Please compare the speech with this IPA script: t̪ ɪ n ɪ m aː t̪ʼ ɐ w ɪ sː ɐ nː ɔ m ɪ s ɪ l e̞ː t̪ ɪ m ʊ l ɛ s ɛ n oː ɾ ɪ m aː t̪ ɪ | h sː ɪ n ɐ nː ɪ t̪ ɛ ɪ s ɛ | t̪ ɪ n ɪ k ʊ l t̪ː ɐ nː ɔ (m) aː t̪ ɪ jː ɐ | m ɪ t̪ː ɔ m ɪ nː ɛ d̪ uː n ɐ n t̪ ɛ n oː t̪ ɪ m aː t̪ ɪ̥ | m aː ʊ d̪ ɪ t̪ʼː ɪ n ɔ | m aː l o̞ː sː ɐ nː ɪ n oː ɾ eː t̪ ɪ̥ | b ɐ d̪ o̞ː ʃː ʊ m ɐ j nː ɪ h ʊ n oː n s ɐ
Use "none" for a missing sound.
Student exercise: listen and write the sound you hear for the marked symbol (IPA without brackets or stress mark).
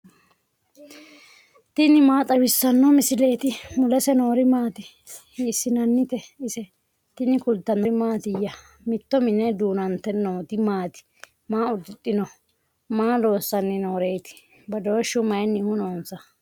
m